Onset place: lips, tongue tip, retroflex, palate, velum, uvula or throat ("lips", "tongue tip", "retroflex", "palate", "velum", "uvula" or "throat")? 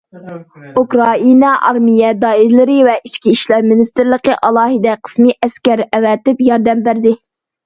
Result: velum